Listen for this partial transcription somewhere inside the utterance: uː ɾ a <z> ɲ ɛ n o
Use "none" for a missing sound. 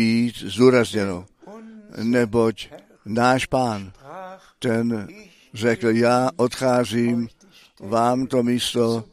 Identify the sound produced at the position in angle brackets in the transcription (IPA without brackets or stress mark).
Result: z